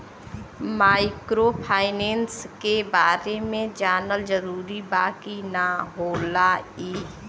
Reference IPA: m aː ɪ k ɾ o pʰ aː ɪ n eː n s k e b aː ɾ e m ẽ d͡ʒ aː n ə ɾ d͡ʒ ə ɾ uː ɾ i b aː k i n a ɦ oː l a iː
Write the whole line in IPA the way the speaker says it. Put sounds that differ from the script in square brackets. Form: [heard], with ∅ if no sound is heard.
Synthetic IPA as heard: m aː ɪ k ɾ o pʰ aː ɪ n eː n s k e b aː ɾ e m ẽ d͡ʒ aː n ə [l] d͡ʒ ə ɾ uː ɾ i b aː k i n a ɦ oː l a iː